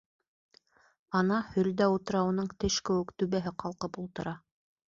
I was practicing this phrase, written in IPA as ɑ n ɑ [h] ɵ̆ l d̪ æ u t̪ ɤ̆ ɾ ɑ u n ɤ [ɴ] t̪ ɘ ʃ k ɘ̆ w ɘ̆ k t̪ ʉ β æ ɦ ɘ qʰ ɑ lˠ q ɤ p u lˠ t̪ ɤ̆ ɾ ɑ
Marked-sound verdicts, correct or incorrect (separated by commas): correct, correct